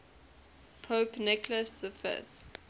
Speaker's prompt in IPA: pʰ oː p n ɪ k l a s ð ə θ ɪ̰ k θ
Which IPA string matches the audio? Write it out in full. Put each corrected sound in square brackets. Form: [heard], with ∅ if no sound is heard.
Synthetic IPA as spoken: pʰ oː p n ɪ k l [ə] s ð ə [f] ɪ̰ [∅] θ